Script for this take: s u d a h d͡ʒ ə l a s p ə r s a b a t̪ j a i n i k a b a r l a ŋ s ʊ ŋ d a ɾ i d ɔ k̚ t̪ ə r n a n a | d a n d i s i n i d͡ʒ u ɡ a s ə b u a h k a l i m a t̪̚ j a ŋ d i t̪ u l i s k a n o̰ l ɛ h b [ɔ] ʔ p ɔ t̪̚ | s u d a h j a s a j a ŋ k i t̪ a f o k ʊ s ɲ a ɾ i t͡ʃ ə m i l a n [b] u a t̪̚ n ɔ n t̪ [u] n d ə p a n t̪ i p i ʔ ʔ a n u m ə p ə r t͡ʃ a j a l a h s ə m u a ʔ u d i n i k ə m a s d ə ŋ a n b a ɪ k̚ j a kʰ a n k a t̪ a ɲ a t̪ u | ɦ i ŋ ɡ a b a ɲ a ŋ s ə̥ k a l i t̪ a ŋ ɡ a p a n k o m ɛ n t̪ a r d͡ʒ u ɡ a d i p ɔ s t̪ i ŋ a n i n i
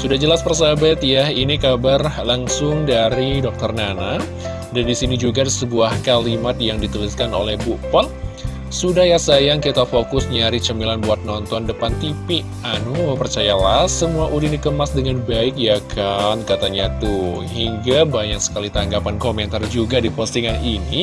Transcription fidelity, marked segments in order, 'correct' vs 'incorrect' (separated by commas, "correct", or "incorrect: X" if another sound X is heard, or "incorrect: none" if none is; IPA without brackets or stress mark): incorrect: u, correct, incorrect: ɔ